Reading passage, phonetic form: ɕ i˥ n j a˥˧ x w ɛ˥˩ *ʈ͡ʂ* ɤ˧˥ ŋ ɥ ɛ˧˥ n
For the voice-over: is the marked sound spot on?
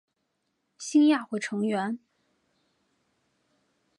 no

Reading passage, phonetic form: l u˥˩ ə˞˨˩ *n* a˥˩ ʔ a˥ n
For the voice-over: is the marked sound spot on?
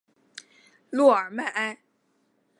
no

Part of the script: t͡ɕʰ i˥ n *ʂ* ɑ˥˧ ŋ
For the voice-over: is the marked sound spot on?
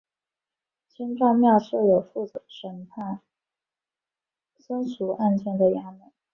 no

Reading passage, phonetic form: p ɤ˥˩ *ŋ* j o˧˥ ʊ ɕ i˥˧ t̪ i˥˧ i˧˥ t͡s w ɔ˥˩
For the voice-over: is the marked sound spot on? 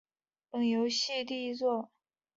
yes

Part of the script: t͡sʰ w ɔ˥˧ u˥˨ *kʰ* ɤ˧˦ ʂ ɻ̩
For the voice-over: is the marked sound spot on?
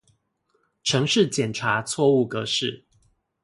no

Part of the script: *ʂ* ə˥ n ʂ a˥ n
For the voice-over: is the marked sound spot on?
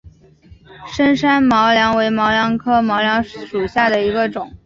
yes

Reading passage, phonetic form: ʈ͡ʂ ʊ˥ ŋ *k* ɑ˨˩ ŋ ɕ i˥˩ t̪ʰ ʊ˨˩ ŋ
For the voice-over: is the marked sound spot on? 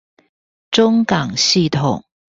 yes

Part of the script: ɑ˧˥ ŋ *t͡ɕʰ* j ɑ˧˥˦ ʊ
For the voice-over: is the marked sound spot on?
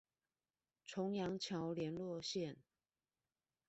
yes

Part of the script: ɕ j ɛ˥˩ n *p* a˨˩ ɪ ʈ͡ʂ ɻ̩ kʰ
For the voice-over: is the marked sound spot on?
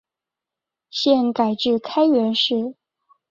no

